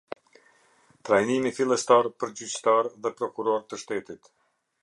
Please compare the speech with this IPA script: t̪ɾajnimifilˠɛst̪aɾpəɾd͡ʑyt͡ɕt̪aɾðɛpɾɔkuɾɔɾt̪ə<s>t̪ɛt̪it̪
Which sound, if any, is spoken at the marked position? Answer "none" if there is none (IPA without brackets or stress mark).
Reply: ʃ